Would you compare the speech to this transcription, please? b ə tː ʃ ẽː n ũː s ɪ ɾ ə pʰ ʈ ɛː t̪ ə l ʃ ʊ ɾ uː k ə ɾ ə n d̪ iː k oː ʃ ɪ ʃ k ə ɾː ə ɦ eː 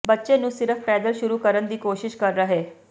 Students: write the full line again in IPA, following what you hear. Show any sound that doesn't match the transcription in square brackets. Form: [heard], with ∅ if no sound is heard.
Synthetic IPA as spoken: b ə tː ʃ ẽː n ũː s ɪ ɾ ə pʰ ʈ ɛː [d̪] ə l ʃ ʊ ɾ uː k ə ɾ ə n d̪ iː k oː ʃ ɪ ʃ k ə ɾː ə ɦ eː